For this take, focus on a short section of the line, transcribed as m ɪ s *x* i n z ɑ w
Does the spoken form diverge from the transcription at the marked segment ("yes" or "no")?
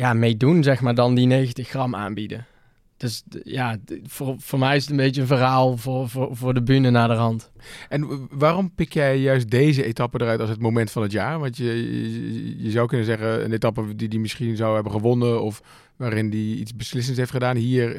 yes